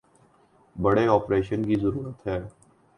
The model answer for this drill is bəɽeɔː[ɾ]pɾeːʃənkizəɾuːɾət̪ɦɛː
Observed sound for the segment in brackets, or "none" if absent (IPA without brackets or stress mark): none